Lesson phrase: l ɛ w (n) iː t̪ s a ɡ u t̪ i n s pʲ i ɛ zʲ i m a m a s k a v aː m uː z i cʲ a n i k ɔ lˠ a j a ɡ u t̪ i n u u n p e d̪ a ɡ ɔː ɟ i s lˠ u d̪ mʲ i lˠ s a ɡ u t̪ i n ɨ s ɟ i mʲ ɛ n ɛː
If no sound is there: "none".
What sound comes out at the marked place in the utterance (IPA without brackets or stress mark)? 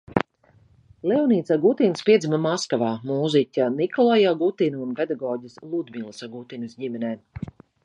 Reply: n